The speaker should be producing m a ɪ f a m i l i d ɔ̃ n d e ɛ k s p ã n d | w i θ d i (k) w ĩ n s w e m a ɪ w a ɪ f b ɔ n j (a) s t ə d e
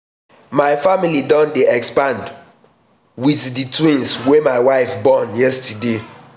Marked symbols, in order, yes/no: no, no

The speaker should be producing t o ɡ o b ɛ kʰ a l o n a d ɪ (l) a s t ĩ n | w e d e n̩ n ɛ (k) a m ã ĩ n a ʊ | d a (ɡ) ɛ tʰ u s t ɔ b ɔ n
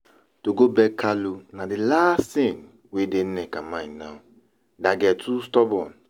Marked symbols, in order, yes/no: yes, yes, yes

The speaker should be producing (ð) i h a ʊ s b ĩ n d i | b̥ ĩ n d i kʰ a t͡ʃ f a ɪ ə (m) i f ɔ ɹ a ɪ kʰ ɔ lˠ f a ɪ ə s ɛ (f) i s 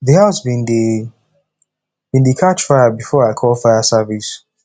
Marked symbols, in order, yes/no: yes, no, no

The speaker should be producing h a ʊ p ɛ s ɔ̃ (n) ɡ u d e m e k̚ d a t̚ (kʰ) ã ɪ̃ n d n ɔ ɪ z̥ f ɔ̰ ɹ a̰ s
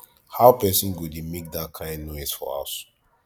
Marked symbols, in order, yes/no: yes, yes

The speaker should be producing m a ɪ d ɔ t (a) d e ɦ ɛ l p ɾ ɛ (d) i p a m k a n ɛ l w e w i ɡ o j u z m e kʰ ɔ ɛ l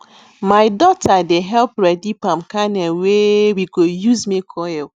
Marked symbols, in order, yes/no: yes, yes

